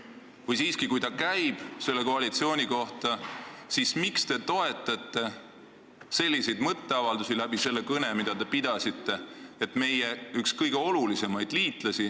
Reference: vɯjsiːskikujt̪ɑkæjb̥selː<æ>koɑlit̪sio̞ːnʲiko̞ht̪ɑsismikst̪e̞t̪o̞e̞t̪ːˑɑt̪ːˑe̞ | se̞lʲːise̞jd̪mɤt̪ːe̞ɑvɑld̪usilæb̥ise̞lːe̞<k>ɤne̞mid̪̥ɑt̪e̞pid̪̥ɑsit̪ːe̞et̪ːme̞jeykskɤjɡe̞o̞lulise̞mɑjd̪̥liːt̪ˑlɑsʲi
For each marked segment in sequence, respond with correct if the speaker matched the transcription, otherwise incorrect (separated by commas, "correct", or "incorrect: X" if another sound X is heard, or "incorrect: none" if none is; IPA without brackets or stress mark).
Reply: incorrect: e, correct